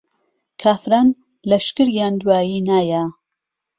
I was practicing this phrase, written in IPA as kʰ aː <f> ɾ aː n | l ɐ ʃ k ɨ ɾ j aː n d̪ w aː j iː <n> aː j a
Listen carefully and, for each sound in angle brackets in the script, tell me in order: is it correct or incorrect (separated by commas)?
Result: correct, correct